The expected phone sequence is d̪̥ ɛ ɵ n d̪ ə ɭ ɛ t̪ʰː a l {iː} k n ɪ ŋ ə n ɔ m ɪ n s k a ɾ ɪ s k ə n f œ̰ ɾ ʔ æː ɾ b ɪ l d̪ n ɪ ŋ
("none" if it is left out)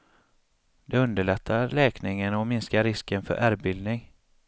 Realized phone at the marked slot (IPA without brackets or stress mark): ɛː